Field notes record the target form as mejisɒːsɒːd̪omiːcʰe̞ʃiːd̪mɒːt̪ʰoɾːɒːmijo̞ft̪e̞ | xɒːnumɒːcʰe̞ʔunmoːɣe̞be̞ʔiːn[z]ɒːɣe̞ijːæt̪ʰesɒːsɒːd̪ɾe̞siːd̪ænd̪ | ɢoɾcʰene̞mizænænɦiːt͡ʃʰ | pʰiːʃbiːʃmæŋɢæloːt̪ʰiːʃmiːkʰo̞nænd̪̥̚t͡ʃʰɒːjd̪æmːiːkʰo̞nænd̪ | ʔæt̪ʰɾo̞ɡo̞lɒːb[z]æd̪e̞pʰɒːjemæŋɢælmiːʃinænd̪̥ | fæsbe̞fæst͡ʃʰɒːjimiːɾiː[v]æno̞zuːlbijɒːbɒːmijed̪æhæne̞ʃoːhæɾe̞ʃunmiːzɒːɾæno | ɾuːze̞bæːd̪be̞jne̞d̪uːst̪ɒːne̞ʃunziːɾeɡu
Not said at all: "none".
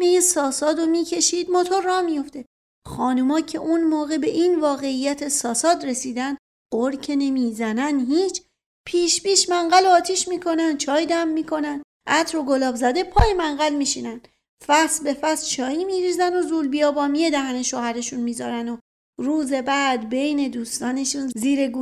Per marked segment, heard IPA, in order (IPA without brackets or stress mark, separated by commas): v, z, z